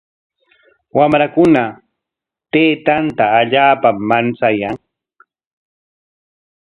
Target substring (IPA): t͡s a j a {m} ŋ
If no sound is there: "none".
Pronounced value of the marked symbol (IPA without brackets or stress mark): none